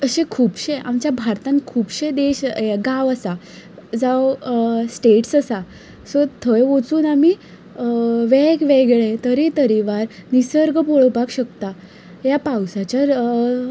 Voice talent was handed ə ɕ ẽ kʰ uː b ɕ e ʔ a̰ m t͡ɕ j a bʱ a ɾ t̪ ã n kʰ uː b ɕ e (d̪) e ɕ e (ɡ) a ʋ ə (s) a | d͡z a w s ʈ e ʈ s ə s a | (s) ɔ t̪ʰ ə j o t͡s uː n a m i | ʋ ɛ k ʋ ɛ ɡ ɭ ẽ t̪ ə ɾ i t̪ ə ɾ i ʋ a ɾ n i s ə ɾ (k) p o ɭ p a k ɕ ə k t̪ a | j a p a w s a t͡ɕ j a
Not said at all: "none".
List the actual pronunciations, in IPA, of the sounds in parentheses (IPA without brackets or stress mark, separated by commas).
d̪, ɡ, s, s, ɡ